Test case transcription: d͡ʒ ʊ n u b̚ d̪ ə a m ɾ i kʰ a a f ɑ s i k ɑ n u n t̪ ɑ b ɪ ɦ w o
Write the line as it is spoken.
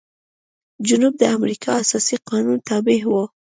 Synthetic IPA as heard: d͡ʒ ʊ n u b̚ d̪ ə a m ɾ i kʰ ɑ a s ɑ s i q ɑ n u n t̪ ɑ b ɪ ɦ w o